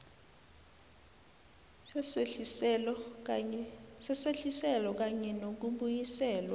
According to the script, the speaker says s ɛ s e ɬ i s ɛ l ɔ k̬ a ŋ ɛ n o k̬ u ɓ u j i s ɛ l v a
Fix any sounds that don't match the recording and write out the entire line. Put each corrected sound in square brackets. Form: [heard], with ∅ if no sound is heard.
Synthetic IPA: s ɛ s e ɬ i s ɛ l ɔ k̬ a [ɲ] ɛ n o k̬ u ɓ u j i s [ɛː] l [w] a